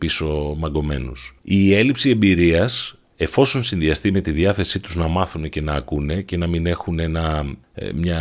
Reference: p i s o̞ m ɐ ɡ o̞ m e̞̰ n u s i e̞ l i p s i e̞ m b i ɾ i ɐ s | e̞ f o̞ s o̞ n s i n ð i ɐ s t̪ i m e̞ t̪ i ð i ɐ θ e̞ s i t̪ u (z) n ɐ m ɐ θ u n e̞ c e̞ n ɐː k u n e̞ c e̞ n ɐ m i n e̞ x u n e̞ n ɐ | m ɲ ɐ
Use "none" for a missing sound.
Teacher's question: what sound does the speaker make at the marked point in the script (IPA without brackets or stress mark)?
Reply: z